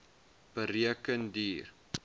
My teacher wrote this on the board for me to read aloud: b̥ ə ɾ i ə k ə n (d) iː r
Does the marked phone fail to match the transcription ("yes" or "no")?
no